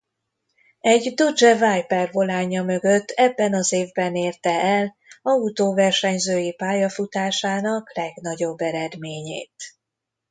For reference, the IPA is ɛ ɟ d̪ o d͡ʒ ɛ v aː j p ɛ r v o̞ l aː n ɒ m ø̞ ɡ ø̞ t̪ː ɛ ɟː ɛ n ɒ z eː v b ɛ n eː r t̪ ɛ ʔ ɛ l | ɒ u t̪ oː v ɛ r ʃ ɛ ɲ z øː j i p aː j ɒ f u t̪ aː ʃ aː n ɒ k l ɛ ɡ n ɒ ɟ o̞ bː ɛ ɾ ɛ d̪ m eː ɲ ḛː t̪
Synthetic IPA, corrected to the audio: ɛ ɟ d̪ o d͡ʒ ɛ v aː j p ɛ r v o̞ l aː ɲ ɒ m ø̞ ɡ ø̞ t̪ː ɛ bː ɛ n ɒ z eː v b ɛ n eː r t̪ ɛ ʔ ɛ l | ɒ u t̪ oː v ɛ r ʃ ɛ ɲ z øː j i p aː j ɒ f u t̪ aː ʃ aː n ɒ k l ɛ ɡ n ɒ ɟ o̞ bː ɛ ɾ ɛ d̪ m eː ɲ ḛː t̪